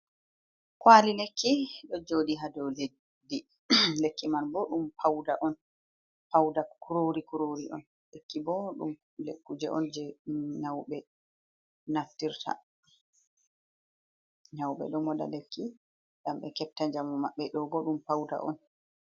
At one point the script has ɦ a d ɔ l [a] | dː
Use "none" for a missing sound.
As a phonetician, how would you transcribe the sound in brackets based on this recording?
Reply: e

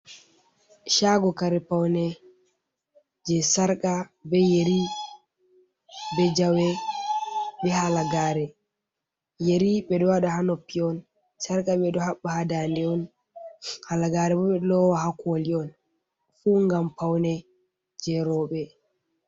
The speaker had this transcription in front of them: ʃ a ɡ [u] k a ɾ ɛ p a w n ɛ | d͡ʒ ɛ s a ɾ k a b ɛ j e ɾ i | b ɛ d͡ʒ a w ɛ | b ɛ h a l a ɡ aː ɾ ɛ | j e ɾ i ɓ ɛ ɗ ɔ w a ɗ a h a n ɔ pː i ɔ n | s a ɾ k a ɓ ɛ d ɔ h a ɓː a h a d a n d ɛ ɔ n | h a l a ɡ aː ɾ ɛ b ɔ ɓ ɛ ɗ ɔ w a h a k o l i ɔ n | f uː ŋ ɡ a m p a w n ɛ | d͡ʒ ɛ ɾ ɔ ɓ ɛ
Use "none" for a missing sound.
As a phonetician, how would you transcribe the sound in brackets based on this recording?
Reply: ɔ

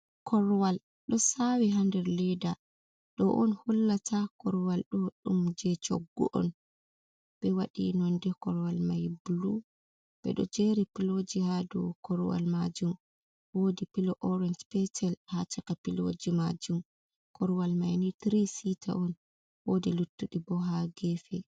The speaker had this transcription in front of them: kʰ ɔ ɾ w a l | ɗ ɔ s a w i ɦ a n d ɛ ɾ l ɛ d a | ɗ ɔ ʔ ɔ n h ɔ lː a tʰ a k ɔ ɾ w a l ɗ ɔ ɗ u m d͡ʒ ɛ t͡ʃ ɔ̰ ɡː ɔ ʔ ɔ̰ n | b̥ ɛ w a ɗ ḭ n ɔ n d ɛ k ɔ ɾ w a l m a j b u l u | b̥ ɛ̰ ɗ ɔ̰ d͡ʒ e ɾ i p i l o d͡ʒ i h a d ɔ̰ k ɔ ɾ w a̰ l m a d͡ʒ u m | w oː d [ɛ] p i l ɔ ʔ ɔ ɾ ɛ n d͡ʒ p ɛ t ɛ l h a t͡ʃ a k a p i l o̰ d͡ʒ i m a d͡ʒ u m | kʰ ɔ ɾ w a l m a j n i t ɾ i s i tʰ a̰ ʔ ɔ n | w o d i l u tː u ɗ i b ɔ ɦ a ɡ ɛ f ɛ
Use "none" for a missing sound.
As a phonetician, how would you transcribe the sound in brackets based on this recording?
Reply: i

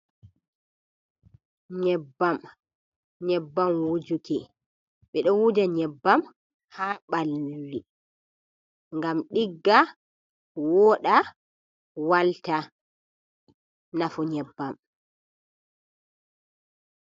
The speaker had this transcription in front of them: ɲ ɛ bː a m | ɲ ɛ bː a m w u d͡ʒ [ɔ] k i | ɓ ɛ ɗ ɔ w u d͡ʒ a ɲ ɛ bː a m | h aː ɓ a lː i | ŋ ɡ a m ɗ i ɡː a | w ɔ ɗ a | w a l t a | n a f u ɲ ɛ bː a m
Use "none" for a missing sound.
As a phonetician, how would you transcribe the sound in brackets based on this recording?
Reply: u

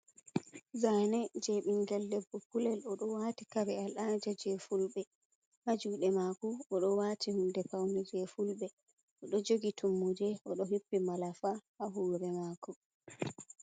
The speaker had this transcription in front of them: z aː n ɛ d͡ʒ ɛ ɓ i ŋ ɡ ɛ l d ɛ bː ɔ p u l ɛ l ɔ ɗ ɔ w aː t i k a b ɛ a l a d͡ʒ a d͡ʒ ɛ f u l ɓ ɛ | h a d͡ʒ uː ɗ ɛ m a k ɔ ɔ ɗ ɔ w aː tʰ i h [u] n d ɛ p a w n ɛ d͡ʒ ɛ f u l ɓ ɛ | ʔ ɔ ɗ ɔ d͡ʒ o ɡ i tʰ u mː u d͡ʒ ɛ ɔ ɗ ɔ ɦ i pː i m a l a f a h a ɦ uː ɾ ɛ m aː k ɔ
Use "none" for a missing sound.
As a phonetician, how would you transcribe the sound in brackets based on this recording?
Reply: u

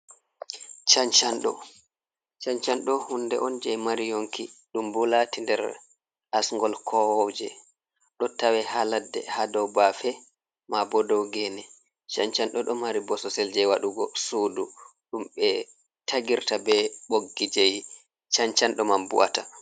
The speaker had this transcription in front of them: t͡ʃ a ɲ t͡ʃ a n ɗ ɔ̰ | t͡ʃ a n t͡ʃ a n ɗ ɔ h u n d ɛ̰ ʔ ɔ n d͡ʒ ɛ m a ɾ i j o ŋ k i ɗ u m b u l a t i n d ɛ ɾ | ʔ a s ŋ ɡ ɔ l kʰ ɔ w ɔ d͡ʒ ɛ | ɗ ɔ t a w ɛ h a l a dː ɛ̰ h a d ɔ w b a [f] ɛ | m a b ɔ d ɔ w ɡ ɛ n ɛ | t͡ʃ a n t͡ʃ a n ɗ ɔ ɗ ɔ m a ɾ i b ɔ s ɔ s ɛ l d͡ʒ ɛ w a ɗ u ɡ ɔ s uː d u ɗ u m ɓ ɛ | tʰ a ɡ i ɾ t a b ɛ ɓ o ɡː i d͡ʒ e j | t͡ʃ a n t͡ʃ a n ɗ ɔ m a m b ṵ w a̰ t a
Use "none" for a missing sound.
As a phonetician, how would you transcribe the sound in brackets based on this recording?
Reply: f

